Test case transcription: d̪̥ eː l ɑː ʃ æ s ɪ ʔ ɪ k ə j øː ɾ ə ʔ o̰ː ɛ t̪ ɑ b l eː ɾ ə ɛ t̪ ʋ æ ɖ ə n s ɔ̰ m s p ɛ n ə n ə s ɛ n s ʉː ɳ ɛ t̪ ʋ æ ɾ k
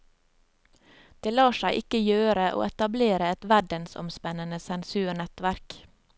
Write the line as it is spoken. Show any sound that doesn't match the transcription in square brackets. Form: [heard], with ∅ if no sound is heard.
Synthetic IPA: d̪̥ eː l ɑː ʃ æ [∅] ɪ ʔ ɪ k ə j øː ɾ ə ʔ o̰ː ɛ t̪ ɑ b l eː ɾ ə ɛ t̪ ʋ æ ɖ ə n s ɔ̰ m s p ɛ n ə n ə s ɛ n s ʉː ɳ ɛ t̪ ʋ æ ɾ k